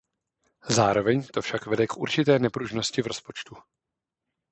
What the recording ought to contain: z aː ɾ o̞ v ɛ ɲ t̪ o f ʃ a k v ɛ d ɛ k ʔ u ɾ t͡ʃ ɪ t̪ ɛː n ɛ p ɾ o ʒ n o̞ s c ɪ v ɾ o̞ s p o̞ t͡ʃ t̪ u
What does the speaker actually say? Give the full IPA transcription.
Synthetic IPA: z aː ɾ o̞ v ɛ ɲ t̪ o f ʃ a k v ɛ d ɛ k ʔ u ɾ t͡ʃ ɪ t̪ ɛː n ɛ p ɾ u ʒ n o̞ s c ɪ v ɾ o̞ s p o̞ t͡ʃ t̪ u